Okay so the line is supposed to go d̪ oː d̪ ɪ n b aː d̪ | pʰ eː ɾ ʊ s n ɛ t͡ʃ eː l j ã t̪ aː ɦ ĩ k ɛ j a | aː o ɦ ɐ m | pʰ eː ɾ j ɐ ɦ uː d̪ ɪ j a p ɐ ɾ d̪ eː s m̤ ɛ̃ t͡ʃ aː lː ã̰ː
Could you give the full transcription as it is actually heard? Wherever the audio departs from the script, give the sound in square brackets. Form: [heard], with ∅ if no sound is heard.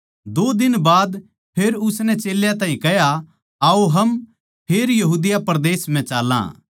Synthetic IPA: d̪ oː d̪ ɪ n b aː d̪ | pʰ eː ɾ ʊ s n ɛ t͡ʃ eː l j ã t̪ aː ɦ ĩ k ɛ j a | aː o ɦ ɐ m | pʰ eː ɾ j ɐ ɦ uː d̪ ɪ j a p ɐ ɾ d̪ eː s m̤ ɛ̃ t͡ʃ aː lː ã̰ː